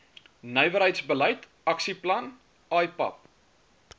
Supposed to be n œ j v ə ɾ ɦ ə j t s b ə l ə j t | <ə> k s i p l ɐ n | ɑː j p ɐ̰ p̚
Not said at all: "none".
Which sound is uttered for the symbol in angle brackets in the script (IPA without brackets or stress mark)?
ɐ